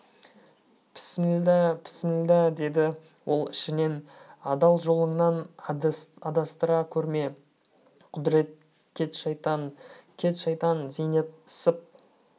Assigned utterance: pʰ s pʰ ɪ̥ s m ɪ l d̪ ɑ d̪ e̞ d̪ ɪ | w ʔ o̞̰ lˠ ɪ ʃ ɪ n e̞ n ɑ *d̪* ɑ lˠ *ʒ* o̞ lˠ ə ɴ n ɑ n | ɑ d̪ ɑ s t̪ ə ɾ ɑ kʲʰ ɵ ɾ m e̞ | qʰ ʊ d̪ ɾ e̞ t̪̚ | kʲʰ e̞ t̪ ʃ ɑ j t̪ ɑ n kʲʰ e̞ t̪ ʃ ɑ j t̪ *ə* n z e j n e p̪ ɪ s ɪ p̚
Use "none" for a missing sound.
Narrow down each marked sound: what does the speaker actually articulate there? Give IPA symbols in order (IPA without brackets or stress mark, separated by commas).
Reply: d̪, ʒ, ɑ